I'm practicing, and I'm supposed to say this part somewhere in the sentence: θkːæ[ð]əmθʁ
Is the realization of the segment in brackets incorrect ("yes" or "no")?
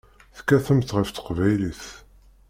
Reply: yes